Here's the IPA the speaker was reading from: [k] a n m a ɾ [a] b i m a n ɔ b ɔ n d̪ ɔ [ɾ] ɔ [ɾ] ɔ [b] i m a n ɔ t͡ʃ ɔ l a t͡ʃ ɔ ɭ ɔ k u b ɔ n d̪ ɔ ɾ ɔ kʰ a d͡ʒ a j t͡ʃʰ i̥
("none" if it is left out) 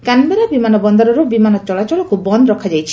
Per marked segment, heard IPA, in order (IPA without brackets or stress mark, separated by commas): k, a, ɾ, ɾ, b